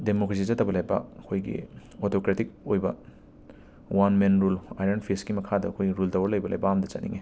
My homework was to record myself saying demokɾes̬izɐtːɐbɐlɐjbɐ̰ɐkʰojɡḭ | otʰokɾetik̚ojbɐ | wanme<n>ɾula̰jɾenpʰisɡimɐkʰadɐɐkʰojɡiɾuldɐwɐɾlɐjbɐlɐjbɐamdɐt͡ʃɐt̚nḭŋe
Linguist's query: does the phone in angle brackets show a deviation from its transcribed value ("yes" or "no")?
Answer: no